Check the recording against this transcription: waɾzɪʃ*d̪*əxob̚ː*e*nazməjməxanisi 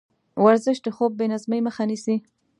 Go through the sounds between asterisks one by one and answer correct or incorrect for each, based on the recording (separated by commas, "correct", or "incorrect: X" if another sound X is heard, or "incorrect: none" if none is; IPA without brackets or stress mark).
correct, correct